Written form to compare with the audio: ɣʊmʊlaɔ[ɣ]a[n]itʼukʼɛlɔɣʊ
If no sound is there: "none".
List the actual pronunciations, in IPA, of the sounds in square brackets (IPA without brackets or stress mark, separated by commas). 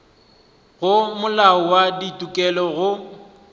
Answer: w, d